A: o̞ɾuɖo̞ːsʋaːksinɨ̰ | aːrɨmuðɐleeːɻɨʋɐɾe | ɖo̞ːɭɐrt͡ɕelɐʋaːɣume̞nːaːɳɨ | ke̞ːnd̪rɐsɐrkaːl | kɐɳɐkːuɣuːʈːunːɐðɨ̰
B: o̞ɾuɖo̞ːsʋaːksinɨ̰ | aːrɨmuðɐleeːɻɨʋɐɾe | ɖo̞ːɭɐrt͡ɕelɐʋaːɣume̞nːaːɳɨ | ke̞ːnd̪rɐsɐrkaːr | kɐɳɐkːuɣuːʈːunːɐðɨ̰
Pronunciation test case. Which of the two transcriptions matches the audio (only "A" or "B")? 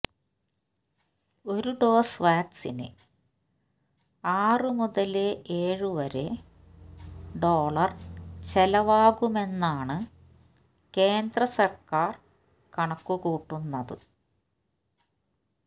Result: B